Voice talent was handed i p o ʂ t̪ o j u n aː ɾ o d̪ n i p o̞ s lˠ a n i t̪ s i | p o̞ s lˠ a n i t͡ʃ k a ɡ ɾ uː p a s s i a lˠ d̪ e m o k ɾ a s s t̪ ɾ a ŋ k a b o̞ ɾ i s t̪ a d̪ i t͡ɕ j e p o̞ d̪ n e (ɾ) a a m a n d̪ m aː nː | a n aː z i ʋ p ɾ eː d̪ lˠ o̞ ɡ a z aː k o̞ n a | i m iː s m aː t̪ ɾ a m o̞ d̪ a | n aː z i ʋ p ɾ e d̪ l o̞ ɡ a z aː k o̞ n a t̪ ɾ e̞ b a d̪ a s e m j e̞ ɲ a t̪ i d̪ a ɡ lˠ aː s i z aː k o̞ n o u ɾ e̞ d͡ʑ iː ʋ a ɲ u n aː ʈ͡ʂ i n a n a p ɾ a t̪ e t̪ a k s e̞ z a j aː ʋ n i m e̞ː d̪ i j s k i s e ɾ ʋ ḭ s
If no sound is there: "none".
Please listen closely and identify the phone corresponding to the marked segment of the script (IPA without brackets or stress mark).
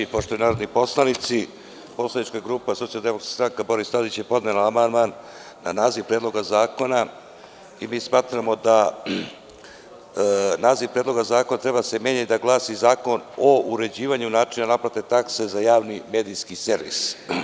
l